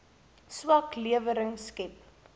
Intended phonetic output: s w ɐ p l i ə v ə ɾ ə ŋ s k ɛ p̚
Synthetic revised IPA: s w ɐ k l i ə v ə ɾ ə ŋ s k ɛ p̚

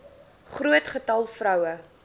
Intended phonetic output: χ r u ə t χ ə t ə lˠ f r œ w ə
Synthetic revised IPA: χ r u ə t χ ə t ɐ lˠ f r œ w ə

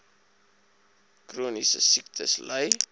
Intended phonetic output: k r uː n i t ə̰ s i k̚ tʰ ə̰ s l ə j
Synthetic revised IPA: k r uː n i s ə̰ s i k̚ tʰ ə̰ s l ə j

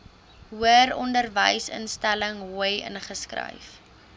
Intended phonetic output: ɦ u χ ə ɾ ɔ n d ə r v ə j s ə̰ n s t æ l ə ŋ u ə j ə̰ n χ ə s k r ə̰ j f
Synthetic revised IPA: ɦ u ə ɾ ɔ n d ə r v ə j s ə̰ n s t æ l ə ŋ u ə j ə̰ n χ ə s k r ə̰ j f

